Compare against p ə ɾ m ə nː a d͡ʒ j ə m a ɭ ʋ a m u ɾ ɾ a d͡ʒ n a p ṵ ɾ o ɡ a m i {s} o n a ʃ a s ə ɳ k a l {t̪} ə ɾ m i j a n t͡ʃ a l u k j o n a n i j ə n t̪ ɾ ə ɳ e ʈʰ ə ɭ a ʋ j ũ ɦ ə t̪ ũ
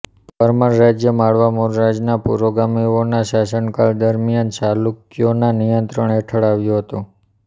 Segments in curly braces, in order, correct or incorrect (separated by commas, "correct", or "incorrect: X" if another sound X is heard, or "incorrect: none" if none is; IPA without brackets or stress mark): incorrect: none, incorrect: d̪